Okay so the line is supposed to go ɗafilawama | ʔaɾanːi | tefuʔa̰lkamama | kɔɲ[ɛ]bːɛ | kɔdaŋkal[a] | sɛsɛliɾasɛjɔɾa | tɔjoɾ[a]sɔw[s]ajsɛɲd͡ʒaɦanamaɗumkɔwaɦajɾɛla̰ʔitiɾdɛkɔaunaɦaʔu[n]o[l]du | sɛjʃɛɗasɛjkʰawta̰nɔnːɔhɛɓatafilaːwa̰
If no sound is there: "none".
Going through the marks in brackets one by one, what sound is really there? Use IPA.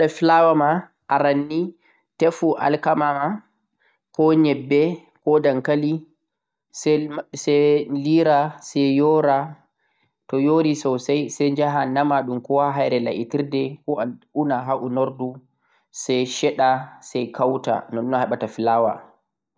ɛ, i, i, s, n, ɾ

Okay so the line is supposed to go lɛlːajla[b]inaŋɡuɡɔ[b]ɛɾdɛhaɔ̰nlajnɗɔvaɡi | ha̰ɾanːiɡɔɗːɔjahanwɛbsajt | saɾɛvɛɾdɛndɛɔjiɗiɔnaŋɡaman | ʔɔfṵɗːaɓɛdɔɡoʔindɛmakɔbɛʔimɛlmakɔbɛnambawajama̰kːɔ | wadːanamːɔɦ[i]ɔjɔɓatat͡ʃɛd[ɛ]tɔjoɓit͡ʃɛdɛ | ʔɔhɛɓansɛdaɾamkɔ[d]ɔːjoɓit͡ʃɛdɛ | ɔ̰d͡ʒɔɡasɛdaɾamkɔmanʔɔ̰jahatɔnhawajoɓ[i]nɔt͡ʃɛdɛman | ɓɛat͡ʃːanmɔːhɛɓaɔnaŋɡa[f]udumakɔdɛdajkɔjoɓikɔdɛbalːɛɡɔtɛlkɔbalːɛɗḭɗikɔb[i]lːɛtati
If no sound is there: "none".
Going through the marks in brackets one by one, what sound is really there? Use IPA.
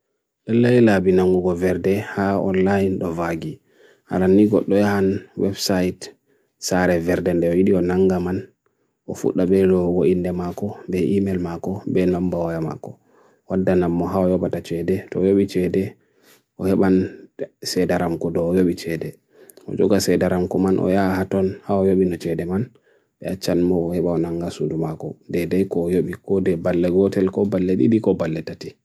b, v, a, ɛ, d, i, s, a

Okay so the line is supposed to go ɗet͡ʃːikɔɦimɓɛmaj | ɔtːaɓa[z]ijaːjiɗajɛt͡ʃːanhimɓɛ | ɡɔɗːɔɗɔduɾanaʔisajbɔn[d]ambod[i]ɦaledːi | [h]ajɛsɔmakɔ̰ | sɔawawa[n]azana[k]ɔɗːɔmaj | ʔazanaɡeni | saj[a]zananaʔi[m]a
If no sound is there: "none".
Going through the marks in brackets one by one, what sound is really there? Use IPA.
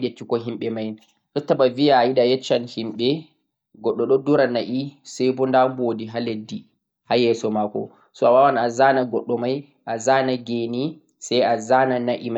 v, d, i, h, n, ɡ, a, m

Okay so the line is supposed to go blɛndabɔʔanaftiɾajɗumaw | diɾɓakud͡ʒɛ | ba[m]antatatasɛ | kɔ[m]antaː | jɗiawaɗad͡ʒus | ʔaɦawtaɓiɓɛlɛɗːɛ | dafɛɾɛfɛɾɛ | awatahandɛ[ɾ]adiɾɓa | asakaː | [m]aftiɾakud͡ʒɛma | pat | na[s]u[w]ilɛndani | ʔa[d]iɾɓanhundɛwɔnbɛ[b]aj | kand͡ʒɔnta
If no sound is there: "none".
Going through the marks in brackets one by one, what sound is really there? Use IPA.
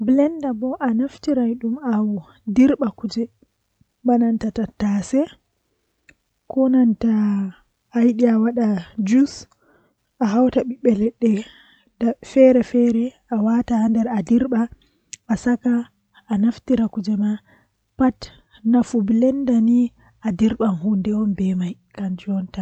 n, n, ɾ, n, f, b, d, m

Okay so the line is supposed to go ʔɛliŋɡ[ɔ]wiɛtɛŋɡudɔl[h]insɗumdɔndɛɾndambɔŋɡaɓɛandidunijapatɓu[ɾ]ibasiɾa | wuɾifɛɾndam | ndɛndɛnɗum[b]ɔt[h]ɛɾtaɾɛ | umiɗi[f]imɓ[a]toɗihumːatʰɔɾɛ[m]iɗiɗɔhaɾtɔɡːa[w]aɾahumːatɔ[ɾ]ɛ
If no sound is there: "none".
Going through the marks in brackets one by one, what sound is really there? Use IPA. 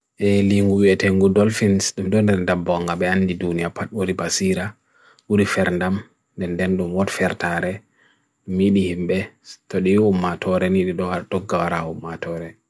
u, f, ɾ, w, f, h, ɛ, n, w, ɾ

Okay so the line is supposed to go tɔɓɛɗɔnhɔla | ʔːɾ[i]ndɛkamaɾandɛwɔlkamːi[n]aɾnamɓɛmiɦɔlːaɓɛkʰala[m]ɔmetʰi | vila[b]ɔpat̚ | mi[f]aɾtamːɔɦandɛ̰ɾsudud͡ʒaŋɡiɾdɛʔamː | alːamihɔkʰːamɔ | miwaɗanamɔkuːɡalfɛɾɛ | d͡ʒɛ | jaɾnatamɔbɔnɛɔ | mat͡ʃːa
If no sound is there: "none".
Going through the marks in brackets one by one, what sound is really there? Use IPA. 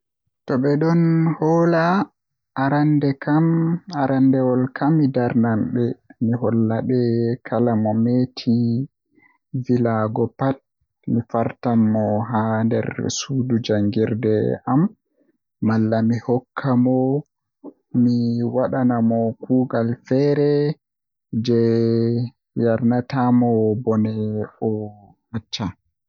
a, d, m, ɡ, f

